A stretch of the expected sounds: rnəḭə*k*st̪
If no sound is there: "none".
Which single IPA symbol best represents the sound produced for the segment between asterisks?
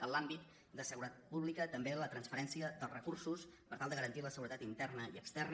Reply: k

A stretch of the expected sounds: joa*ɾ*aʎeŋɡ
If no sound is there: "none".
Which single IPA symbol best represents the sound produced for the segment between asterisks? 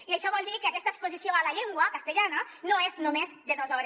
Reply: l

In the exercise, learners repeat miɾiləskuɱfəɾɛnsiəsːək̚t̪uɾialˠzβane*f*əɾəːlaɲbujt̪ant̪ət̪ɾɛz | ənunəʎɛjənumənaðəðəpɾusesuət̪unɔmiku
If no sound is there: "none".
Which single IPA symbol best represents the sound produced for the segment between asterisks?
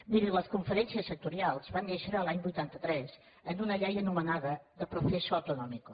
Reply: ʃ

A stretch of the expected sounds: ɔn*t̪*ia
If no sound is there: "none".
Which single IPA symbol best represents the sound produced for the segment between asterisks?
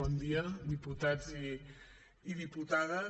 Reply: d̪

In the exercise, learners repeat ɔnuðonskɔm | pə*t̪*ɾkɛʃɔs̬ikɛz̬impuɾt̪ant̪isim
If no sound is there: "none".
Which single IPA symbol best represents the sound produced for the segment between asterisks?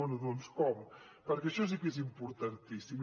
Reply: none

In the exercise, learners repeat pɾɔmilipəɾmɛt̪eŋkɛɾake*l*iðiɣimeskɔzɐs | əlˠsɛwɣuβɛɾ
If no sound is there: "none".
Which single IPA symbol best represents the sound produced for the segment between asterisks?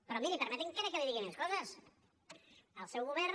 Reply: l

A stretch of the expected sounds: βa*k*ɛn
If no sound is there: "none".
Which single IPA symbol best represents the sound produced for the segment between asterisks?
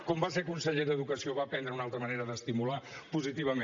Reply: p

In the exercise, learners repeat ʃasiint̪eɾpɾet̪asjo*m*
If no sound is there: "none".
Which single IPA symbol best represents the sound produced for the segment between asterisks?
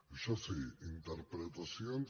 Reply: n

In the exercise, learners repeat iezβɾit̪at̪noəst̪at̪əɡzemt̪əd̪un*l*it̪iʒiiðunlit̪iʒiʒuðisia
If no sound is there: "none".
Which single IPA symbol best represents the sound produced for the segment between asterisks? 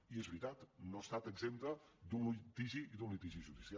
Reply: l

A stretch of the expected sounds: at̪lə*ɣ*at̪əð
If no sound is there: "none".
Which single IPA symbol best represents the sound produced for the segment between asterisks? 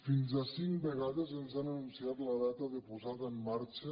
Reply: ð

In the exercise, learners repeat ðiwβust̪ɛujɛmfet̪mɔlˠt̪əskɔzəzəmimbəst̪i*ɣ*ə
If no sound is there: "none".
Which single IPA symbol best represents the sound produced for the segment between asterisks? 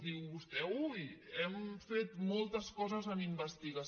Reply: ɣ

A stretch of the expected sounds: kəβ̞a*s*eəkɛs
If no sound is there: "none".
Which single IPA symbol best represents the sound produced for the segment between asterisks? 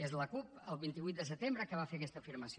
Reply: f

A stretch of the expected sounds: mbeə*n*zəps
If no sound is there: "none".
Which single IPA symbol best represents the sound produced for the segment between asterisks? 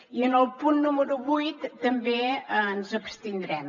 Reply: n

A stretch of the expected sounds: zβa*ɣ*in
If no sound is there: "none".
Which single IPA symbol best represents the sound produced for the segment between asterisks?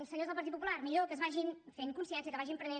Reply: ʒ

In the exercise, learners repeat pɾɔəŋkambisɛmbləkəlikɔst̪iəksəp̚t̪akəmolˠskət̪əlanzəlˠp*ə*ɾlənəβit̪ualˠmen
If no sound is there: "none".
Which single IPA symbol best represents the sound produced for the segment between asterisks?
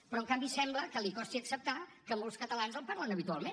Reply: a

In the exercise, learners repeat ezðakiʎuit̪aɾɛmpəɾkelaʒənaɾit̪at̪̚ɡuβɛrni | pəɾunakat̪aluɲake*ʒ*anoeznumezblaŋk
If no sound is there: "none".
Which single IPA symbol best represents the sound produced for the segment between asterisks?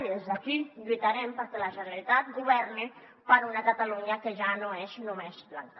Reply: ʒ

